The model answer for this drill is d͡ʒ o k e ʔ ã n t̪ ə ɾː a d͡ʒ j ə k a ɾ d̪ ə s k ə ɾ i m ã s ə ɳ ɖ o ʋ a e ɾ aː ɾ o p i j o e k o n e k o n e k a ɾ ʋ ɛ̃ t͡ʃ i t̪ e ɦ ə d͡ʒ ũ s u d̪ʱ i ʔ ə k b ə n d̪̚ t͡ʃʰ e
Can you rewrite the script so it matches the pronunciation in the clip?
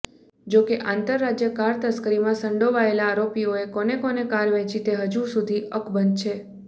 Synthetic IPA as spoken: d͡ʒ o k e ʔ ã n t̪ ə ɾː a d͡ʒ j ə k a ɾ t̪ ə s k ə ɾ i m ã s ə ɳ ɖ o ʋ a e l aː ɾ o p i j o e k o n e k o n e k a ɾ ʋ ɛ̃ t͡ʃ i t̪ e ɦ ə d͡ʒ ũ s u d̪ʱ i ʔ ə k b ə n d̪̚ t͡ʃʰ e